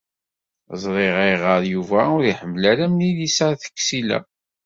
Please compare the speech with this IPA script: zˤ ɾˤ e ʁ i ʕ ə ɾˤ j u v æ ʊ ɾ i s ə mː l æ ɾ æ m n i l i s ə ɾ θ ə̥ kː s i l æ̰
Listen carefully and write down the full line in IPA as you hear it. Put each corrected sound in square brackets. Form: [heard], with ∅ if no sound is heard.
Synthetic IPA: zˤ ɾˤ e ʁ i [ʁ] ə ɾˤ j u v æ ʊ ɾ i [ħ] ə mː l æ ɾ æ m n i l i s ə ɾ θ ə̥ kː s i l æ̰